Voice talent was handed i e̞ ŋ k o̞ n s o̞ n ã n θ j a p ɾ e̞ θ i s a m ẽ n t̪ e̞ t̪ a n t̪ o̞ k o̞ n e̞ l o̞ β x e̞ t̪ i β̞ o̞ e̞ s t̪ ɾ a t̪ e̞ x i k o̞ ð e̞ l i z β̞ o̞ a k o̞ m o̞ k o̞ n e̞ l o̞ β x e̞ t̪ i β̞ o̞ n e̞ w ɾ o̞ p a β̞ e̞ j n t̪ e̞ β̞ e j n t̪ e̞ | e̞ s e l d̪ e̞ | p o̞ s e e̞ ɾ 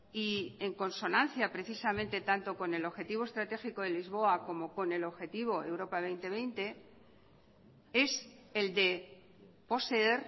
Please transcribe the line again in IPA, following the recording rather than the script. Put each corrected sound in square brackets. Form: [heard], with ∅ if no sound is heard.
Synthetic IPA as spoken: i e̞ ŋ k o̞ n s o̞ n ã n θ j a p ɾ e̞ θ i s a m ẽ n t̪ e̞ t̪ a n t̪ o̞ k o̞ n e̞ l o̞ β x e̞ t̪ i β̞ o̞ e̞ s t̪ ɾ a t̪ e̞ x i k o̞ ð e̞ l i z β̞ o̞ a k o̞ m o̞ k o̞ n e̞ l o̞ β x e̞ t̪ i β̞ o̞ [∅] e̞ w ɾ o̞ p a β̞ e̞ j n t̪ e̞ β̞ e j n t̪ e̞ | e̞ s e l d̪ e̞ | p o̞ s e e̞ ɾ

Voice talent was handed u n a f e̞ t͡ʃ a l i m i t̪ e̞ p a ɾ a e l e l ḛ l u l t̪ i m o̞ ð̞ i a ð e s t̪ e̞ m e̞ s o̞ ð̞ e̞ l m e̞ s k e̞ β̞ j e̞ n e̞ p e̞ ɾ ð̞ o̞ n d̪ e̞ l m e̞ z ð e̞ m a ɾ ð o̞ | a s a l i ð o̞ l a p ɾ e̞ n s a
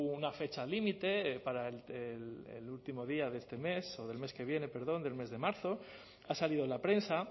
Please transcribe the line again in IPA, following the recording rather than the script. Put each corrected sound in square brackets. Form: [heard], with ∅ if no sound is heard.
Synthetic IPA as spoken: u n a f e̞ t͡ʃ a l i m i t̪ e̞ p a ɾ a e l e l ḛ l u l t̪ i m o̞ ð̞ i a ð e s t̪ e̞ m e̞ s o̞ ð̞ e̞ l m e̞ s k e̞ β̞ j e̞ n e̞ p e̞ ɾ ð̞ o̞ n d̪ e̞ l m e̞ z ð e̞ m a ɾ [θ] o̞ | a s a l i ð o̞ l a p ɾ e̞ n s a

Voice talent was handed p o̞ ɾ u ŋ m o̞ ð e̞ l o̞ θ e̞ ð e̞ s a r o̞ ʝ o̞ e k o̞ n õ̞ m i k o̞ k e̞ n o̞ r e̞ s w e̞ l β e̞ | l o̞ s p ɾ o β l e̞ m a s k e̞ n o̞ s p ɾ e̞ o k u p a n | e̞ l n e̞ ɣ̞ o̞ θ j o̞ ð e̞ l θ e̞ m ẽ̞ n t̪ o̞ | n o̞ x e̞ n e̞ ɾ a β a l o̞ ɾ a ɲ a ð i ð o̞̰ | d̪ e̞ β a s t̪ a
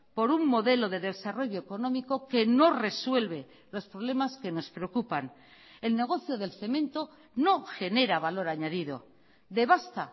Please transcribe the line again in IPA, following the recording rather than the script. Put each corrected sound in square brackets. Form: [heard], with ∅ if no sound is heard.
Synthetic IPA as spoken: p o̞ ɾ u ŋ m o̞ ð e̞ l o̞ [ð] e̞ ð e̞ s a r o̞ ʝ o̞ e k o̞ n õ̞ m i k o̞ k e̞ n o̞ r e̞ s w e̞ l β e̞ | l o̞ s p ɾ o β l e̞ m a s k e̞ n o̞ s p ɾ e̞ o k u p a n | e̞ l n e̞ ɣ̞ o̞ θ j o̞ ð e̞ l θ e̞ m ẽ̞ n t̪ o̞ | n o̞ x e̞ n e̞ ɾ a β a l o̞ ɾ a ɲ a ð i ð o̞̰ | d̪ e̞ β a s t̪ a

